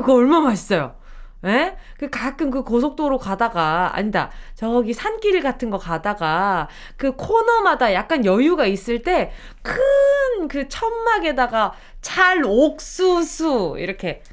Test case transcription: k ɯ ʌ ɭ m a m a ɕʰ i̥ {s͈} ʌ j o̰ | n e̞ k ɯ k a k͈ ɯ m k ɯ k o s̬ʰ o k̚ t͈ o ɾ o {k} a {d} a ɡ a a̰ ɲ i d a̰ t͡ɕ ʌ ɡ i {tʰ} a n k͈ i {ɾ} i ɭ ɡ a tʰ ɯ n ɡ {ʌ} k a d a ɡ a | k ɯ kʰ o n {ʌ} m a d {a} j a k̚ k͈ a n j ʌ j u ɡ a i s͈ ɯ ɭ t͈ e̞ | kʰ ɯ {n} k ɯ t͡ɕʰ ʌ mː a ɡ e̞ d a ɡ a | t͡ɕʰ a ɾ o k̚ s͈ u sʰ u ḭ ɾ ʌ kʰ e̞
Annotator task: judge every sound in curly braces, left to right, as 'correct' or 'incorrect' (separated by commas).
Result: correct, correct, correct, incorrect, correct, correct, correct, correct, correct